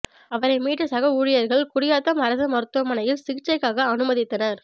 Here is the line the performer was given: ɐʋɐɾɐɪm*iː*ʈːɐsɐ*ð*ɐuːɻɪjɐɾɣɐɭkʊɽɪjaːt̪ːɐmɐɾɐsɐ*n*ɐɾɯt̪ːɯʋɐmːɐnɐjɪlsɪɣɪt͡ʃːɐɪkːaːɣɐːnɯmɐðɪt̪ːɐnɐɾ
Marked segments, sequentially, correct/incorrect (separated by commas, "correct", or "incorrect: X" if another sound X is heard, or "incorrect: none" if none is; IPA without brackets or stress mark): correct, incorrect: ɣ, incorrect: m